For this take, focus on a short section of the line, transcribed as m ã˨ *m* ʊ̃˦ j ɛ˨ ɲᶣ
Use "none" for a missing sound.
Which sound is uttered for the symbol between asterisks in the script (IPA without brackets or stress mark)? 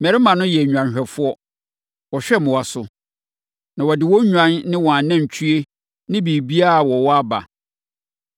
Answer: n